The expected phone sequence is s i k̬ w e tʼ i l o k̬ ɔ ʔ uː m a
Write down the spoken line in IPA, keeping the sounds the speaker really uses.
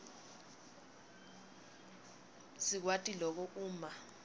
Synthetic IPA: s i k̬ w a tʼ i l ɔ k̬ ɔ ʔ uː m a